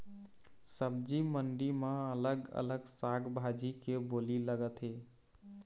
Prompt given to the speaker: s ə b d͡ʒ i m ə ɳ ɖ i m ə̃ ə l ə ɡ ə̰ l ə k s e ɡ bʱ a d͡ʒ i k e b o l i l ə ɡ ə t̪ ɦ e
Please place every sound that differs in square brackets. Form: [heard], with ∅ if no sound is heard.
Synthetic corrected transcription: s ə b d͡ʒ i m ə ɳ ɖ i m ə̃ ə l ə ɡ ə̰ l ə [ɡ] s [a] ɡ bʱ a d͡ʒ i k e b o l i l ə ɡ ə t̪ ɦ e